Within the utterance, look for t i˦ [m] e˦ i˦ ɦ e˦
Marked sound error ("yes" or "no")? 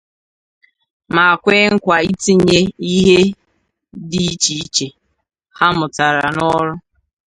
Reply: yes